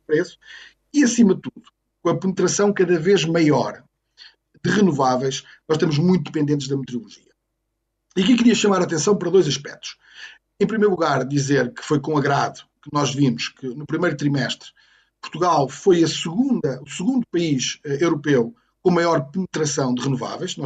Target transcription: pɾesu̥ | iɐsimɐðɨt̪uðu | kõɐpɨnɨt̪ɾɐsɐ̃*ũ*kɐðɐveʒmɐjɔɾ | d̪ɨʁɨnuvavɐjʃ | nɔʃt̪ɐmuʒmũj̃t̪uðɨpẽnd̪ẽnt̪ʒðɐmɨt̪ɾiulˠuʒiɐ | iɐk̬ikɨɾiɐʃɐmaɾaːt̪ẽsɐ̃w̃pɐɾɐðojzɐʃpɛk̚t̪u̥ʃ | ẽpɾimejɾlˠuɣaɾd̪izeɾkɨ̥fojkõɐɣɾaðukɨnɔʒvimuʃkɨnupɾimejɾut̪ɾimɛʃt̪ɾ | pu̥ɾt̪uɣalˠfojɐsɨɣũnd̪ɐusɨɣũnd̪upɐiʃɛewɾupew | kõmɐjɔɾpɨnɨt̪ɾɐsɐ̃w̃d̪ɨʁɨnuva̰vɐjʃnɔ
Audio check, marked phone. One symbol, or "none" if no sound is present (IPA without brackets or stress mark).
w̃